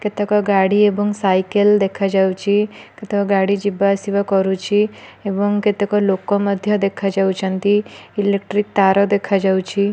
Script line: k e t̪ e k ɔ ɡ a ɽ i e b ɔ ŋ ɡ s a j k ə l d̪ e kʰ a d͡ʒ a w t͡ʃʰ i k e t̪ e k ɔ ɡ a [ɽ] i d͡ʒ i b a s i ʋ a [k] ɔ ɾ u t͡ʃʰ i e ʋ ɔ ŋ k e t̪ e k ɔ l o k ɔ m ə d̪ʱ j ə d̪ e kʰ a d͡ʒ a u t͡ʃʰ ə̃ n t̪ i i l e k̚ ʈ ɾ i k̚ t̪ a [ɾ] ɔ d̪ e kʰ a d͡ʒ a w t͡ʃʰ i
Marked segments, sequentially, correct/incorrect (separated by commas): correct, correct, correct